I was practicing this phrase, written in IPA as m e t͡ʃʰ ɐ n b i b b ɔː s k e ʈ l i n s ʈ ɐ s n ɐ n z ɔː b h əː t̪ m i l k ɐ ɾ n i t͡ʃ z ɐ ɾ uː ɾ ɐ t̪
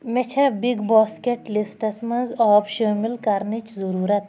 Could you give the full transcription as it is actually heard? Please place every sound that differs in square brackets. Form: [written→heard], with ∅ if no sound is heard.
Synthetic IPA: m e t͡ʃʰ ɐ [n→∅] b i [b→ɡ] b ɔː s k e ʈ l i [n→∅] s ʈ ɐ s [n→m] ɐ n z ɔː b [h→ʃ] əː [t̪→∅] m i l k ɐ ɾ n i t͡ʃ z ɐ ɾ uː ɾ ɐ t̪